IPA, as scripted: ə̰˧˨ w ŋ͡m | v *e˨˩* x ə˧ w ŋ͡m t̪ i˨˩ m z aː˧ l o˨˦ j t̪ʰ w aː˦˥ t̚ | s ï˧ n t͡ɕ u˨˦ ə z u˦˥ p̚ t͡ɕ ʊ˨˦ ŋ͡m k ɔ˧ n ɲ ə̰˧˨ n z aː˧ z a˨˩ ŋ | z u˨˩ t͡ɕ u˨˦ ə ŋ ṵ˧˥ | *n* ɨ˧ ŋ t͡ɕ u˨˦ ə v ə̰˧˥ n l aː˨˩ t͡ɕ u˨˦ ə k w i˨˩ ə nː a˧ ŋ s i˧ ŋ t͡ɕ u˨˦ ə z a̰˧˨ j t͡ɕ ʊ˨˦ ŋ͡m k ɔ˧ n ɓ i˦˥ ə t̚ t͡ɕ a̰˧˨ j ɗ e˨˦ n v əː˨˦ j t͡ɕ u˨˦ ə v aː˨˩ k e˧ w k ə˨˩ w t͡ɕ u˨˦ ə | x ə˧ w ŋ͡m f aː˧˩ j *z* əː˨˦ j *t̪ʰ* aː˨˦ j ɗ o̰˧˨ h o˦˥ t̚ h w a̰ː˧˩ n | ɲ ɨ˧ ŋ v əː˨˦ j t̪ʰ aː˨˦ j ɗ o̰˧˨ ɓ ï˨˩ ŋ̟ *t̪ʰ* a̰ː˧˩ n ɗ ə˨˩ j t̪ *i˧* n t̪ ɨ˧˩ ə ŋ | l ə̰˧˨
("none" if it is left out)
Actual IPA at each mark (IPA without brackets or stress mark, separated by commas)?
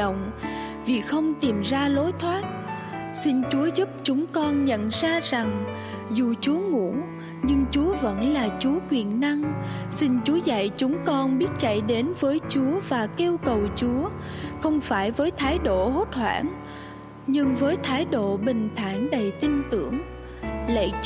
i˨˩, ɲ, v, t̪ʰ, t̪ʰ, i˧